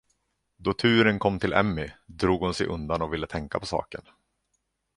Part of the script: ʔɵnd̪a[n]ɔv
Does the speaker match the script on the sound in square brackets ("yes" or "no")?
yes